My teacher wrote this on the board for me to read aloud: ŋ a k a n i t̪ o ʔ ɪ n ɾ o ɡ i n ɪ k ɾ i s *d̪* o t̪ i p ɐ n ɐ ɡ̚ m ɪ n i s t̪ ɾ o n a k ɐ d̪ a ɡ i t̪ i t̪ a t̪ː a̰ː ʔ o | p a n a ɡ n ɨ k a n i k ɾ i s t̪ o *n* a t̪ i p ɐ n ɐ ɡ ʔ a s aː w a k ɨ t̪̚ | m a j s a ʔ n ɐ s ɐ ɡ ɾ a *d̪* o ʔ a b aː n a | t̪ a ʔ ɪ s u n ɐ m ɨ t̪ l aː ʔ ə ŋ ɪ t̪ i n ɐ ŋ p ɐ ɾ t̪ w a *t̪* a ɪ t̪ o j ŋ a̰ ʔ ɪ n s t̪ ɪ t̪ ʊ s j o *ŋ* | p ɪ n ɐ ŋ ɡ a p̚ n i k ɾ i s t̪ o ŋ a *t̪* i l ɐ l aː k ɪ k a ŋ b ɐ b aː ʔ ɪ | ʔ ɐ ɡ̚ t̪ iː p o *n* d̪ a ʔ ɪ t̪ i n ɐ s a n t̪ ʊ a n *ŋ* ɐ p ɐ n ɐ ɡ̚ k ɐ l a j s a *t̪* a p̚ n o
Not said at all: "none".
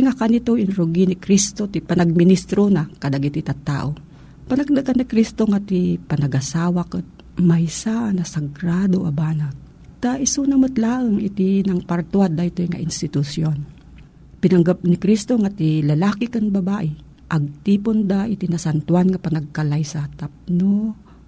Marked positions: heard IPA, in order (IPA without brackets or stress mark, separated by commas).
t̪, ŋ, d̪, d̪, n, t̪, n, ŋ, t̪